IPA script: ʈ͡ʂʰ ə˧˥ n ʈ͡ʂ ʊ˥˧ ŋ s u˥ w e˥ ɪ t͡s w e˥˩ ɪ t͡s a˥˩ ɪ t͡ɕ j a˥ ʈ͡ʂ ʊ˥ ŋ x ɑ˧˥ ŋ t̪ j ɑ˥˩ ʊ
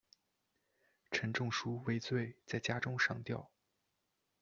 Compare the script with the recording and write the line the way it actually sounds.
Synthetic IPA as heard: ʈ͡ʂʰ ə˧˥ n ʈ͡ʂ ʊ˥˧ ŋ ʂ u˥ w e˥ ɪ t͡s w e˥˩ ɪ t͡s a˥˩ ɪ t͡ɕ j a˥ ʈ͡ʂ ʊ˥ ŋ ʂ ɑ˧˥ ŋ t̪ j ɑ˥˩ ʊ

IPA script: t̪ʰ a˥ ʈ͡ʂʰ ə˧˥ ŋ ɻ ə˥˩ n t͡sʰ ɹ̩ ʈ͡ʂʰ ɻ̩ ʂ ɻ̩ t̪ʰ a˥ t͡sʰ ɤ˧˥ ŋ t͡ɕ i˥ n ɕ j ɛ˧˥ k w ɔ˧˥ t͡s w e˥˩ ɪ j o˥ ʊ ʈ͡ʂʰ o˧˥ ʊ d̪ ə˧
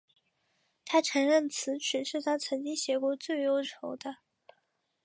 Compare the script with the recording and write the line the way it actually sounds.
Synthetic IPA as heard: t̪ʰ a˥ ʈ͡ʂʰ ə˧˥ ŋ ɻ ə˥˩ n t͡sʰ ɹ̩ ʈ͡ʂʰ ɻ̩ ʂ ɻ̩ t̪ʰ a˥ t͡sʰ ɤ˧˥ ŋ t͡ɕ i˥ ŋ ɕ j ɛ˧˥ k w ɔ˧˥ t͡s w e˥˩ ɪ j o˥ ʊ ʈ͡ʂʰ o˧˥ ʊ d̪ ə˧

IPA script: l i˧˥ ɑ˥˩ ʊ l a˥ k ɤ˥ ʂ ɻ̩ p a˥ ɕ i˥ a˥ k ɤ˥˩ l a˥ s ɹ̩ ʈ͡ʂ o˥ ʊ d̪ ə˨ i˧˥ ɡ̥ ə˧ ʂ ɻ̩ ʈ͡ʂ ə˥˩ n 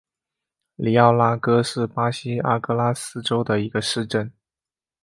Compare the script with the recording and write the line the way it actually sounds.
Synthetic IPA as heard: l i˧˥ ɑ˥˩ ʊ l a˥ k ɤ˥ ʂ ɻ̩ p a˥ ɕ i˥ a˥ k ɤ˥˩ l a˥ s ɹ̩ ʈ͡ʂ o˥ ʊ d̪ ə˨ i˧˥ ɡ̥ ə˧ ʂ ɻ̩ ʈ͡ʂ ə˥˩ n

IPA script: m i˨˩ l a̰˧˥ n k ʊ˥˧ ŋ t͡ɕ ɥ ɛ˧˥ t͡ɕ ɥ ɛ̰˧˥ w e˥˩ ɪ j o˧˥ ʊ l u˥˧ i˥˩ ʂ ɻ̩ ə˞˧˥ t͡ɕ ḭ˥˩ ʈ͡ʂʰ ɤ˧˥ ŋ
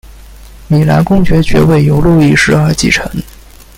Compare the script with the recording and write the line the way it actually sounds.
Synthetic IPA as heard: m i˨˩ l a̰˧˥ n k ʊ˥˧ ŋ t͡ɕ ɥ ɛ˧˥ t͡ɕ ɥ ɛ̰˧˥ w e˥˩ ɪ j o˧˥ ʊ l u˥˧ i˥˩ ʂ ɻ̩ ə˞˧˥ t͡ɕ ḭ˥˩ ʈ͡ʂʰ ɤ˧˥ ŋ

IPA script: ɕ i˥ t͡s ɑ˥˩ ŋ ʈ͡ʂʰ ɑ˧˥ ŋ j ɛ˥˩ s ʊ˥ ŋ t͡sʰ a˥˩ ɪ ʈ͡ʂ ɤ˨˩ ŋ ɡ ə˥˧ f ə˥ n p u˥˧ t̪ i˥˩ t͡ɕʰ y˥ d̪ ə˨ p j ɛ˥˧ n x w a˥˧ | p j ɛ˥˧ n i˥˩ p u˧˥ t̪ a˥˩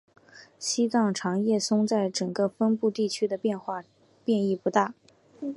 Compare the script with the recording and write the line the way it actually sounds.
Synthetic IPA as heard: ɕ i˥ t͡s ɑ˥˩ ŋ ʈ͡ʂʰ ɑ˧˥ ŋ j ɛ˥˩ s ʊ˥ ŋ t͡s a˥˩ ɪ ʈ͡ʂ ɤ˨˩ ŋ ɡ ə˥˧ f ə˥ n p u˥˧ t̪ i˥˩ t͡ɕʰ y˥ d̪ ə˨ p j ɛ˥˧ n x w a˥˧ | p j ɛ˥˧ n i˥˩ p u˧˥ t̪ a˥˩

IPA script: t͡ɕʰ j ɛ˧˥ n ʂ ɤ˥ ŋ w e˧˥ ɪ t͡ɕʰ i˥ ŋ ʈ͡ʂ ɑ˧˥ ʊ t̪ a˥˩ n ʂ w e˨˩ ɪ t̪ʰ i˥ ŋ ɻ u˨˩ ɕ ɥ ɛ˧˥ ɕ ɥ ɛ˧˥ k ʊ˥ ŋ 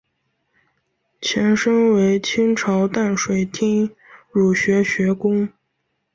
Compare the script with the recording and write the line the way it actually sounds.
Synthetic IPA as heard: t͡ɕʰ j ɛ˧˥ n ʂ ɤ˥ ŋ w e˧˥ ɪ t͡ɕʰ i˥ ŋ ʈ͡ʂʰ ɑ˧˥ ʊ t̪ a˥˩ n ʂ w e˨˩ ɪ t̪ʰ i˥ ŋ ɻ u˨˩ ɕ ɥ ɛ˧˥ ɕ ɥ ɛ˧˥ k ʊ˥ ŋ

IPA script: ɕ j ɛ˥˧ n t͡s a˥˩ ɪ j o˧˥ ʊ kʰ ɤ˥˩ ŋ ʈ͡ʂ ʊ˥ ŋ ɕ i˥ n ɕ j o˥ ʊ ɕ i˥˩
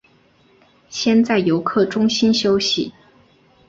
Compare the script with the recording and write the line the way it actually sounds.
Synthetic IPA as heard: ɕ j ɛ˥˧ n t͡s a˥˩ ɪ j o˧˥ ʊ kʰ ɤ˥˩ ʈ͡ʂ ʊ˥ ŋ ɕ i˥ n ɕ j o˥ ʊ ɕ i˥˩

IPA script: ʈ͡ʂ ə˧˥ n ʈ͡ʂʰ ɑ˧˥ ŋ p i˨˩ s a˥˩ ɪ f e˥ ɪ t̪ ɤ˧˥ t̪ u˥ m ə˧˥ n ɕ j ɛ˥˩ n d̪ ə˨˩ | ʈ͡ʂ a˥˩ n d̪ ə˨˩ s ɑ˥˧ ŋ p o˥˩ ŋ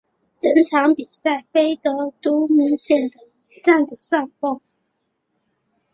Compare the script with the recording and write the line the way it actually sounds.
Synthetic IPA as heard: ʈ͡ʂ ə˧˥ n ʈ͡ʂʰ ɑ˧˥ ŋ p i˨˩ s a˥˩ ɪ f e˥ ɪ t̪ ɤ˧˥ t̪ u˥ m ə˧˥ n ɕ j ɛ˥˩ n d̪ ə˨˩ | ʈ͡ʂ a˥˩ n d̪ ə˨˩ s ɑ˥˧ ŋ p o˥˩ ŋ

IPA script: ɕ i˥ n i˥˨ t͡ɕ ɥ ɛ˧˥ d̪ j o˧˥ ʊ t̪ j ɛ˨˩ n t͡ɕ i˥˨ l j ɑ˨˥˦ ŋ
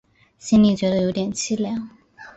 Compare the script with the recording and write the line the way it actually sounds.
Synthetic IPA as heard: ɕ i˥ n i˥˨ t͡ɕ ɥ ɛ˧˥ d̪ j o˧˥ ʊ t̪ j ɛ˨˩ n t͡ɕʰ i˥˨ l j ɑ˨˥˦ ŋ

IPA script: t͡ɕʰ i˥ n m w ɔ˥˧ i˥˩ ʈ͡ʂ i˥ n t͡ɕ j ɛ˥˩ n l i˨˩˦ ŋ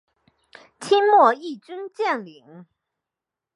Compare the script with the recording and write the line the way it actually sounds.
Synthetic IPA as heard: t͡ɕʰ i˥ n m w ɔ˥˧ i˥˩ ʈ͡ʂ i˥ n t͡ɕ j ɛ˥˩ n l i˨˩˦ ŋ

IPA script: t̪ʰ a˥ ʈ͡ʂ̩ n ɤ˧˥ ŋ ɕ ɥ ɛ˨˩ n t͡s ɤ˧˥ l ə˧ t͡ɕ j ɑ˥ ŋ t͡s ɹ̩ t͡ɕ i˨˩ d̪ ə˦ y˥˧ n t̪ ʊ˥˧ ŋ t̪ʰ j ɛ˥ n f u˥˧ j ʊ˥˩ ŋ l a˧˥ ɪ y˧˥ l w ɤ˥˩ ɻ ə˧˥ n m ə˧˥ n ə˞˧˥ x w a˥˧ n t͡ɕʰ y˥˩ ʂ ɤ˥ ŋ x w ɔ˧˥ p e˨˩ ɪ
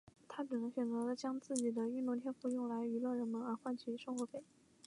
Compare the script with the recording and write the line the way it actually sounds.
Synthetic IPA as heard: t̪ʰ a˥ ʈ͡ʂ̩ n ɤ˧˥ ŋ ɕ ɥ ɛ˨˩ n t͡s ɤ˧˥ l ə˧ t͡ɕ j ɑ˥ ŋ t͡s ɹ̩ t͡ɕ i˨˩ d̪ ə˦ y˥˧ n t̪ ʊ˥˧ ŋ t̪ʰ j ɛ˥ n f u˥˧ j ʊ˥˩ ŋ l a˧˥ ɪ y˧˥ l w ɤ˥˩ ɻ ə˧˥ n m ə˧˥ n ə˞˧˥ x w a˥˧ n t͡ɕʰ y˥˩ ʂ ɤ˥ ŋ x w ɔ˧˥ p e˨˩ ɪ

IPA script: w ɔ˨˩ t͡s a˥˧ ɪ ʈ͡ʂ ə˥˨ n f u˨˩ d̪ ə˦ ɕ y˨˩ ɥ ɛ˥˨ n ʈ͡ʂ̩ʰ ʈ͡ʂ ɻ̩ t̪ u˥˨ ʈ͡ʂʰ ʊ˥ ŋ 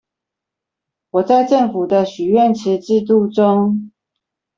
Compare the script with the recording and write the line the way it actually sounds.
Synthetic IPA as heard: w ɔ˨˩ t͡s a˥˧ ɪ ʈ͡ʂ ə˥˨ ŋ f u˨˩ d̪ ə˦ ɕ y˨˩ ɥ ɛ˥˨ n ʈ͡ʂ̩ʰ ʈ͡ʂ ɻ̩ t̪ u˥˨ ʈ͡ʂ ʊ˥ ŋ

